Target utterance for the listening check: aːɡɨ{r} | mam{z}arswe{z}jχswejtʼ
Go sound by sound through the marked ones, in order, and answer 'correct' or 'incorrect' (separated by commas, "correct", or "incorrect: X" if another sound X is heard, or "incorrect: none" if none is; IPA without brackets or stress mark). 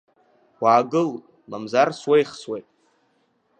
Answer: incorrect: l, correct, incorrect: none